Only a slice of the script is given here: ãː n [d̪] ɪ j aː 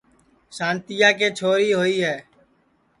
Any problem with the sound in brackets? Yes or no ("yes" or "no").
yes